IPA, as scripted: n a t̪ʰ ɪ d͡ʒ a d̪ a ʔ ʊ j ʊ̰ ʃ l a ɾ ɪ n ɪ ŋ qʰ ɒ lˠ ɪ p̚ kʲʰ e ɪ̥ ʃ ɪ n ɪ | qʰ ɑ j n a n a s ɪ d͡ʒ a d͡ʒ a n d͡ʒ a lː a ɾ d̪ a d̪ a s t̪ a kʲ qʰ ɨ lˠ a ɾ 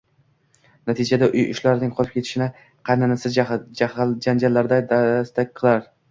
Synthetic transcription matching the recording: n a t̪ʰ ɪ d͡ʒ a d̪ a ʔ ʊ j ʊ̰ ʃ l a ɾ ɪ n ɪ ŋ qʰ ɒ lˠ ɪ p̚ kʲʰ e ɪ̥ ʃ ɪ n ɪ | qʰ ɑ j n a n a s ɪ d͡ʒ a d͡ʒ a n d͡ʒ a lː a ɾ d̪ a d̪ a s t̪ a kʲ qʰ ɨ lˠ a ɾ